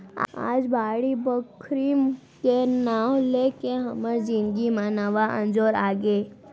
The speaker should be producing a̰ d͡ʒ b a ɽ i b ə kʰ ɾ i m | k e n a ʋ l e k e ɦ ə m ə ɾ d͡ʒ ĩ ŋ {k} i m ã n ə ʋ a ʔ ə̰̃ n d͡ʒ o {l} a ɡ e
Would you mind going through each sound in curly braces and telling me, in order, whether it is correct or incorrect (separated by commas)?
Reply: incorrect, incorrect